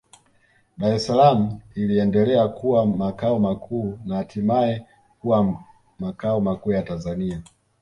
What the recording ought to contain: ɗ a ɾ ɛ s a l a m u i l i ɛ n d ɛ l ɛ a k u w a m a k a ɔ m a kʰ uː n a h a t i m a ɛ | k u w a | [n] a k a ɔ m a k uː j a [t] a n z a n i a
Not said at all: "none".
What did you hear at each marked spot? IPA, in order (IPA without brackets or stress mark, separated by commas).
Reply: m, t